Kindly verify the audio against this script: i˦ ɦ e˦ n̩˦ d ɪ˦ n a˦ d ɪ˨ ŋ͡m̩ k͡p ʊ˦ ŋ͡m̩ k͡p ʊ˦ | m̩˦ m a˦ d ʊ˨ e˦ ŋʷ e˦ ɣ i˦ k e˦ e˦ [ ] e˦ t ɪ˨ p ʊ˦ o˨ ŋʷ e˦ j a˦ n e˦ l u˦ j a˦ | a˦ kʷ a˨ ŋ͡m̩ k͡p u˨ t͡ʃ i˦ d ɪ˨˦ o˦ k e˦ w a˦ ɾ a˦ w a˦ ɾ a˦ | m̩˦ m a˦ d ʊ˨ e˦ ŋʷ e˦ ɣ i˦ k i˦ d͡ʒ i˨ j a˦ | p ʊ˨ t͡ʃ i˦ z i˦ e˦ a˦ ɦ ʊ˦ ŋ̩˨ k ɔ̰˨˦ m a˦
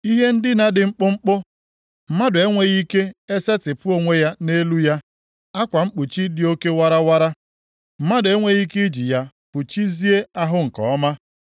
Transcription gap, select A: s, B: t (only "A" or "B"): A